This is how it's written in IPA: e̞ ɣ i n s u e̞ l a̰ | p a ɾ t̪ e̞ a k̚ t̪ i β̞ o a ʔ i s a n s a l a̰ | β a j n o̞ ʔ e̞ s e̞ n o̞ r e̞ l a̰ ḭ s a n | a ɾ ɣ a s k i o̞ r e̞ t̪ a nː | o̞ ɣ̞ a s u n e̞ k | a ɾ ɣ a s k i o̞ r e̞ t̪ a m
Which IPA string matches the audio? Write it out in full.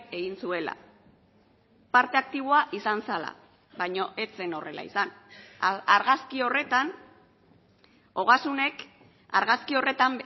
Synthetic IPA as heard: e̞ ɣ i n s u e̞ l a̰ | p a ɾ t̪ e̞ a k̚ t̪ i β̞ o a ʔ i s a n s a l a̰ | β a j ɲ o̞ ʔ e̞ t͡s e̞ n o̞ r e̞ l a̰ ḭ s a n | a ɾ ɣ a s k i o̞ r e̞ t̪ a n | o̞ ɣ̞ a s u n e̞ k | a ɾ ɣ a s k i o̞ r e̞ t̪ a m